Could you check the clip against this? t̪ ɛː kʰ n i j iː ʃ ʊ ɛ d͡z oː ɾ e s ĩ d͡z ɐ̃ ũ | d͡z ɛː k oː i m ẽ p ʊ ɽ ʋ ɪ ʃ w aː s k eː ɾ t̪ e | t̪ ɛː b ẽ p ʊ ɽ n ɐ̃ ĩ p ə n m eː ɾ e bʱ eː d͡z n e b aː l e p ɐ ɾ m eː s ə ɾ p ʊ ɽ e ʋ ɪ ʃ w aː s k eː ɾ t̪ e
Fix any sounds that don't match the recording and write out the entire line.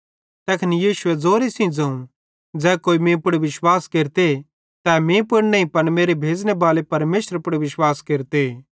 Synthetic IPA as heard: t̪ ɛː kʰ n i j iː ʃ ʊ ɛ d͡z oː ɾ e s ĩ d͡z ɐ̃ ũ | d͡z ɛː k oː i m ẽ p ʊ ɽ ʋ ɪ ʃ w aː s k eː ɾ t̪ e | t̪ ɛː m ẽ p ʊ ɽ n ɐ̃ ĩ p ɐ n m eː ɾ e bʱ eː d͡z n e b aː l e p ɐ ɾ m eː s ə ɾ p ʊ ɽ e ʋ ɪ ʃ w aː s k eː ɾ t̪ e